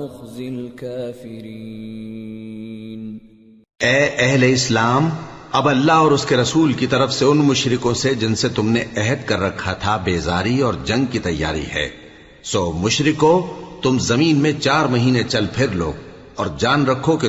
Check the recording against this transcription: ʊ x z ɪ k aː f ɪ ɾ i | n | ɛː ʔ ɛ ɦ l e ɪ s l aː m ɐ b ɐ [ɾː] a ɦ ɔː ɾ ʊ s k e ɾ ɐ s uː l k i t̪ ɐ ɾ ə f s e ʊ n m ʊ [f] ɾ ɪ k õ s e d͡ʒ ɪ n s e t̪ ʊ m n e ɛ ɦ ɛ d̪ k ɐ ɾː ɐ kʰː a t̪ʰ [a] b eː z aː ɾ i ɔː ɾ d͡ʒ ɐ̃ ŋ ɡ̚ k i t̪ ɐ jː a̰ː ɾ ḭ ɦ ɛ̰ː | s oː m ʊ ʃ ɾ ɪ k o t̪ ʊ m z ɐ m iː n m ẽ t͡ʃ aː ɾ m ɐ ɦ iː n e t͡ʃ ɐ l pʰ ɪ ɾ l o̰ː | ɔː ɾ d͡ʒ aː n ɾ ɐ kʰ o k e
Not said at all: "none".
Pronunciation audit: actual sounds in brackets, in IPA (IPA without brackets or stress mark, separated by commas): lː, ʃ, a